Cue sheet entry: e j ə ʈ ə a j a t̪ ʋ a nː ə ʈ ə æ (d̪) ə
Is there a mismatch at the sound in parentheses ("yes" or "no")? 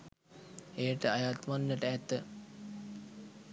yes